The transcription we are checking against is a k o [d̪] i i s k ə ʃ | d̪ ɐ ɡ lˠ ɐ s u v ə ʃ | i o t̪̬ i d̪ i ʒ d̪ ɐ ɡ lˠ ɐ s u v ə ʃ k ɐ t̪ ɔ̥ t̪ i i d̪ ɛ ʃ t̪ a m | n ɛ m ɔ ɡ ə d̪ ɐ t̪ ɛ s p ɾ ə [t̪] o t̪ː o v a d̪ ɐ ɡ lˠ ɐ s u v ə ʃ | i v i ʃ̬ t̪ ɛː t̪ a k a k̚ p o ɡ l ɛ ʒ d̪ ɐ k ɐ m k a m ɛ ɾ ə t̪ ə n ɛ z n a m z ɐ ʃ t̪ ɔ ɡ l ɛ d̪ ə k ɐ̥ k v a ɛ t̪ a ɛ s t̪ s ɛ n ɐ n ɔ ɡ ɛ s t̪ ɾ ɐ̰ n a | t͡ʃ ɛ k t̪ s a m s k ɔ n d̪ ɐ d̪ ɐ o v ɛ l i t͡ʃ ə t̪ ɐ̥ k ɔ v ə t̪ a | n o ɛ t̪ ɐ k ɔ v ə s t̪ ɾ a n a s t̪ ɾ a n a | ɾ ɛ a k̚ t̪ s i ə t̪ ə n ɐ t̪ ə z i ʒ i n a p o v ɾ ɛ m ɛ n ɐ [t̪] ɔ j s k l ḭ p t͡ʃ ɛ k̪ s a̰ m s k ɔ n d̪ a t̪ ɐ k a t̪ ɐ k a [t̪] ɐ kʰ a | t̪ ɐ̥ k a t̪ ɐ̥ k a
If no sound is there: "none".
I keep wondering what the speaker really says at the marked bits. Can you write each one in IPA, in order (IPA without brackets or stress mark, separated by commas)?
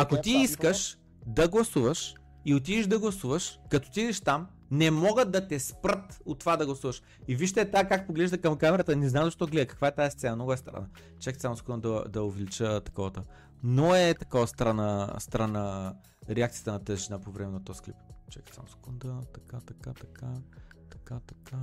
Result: t̪, t̪, t̪, t̪